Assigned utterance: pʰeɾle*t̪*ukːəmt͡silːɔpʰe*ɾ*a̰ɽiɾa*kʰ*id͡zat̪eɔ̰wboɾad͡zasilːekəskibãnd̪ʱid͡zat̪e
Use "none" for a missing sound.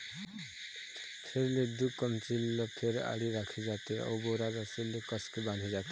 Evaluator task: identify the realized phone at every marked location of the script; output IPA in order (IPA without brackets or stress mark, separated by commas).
d̪, ɾ, kʰ